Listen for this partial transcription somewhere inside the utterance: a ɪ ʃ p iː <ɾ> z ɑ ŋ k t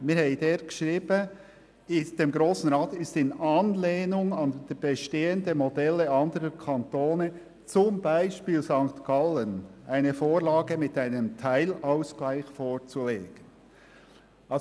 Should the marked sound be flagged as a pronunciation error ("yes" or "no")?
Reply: yes